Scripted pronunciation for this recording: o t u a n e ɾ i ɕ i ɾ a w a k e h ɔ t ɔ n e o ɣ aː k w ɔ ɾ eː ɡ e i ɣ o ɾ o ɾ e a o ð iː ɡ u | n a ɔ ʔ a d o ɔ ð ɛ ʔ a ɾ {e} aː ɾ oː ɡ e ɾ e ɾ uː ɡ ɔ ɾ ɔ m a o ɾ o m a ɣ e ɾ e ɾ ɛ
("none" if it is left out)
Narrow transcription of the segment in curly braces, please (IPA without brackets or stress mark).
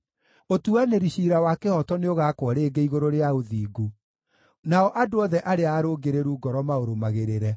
e